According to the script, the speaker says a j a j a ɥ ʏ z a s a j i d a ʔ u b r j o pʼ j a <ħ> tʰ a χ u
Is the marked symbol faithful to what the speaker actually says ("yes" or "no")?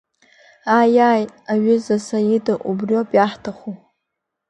yes